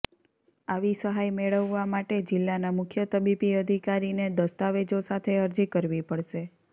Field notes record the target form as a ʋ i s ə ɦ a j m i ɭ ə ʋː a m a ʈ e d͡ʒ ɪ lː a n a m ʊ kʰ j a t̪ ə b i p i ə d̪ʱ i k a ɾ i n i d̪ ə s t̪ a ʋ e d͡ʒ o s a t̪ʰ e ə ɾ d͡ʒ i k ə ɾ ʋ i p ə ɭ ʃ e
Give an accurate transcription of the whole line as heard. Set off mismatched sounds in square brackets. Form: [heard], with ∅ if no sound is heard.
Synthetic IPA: a ʋ i s ə ɦ a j m [e] ɭ ə ʋː a m a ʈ e d͡ʒ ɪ lː a n a m ʊ kʰ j [ə] t̪ ə b i p i ə d̪ʱ i k a ɾ i n [e] d̪ ə s t̪ a ʋ e d͡ʒ o s a t̪ʰ e ə ɾ d͡ʒ i k ə ɾ ʋ i p ə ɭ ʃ e